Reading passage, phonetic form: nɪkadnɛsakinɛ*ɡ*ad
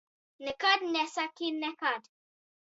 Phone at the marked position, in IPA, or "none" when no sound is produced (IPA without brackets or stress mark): k